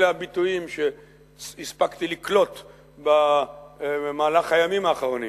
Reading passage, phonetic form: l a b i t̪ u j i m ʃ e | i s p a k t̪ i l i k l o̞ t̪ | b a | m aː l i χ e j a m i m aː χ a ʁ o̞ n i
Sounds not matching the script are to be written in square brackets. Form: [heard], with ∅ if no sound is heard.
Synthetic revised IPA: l a b i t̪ u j i m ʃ e | i s p a k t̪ i l i k l o̞ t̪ | b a | m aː l [a] χ [a] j a m i m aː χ a ʁ o̞ n i